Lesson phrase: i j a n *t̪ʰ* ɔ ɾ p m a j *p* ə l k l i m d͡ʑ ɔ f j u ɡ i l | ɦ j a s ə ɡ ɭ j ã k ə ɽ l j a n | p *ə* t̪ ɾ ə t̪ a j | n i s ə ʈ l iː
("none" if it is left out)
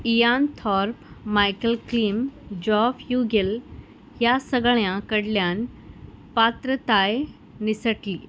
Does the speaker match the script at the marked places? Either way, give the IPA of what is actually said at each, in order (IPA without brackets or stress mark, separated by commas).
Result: t̪ʰ, k, a